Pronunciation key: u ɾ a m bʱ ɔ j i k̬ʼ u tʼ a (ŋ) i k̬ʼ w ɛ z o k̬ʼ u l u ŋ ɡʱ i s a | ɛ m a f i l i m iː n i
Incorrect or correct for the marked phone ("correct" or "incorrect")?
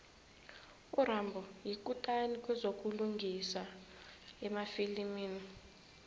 incorrect